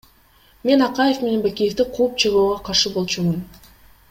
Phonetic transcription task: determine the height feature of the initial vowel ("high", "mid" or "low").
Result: mid